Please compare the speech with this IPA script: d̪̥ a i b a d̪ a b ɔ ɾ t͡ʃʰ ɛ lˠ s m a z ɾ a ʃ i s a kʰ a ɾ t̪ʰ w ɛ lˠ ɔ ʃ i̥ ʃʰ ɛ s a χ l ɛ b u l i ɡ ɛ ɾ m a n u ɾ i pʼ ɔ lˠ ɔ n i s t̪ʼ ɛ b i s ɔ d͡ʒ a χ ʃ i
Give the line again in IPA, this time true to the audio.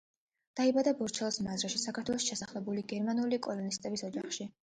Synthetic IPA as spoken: d̪̥ a i b a d̪ a b ɔ ɾ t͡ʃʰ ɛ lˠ s m a z ɾ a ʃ i s a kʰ a ɾ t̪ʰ w ɛ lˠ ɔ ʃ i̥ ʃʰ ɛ s a χ l ɛ b u l i ɡ ɛ ɾ m a n u l i kʼ ɔ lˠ ɔ n i s t̪ʼ ɛ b i s ɔ d͡ʒ a χ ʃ i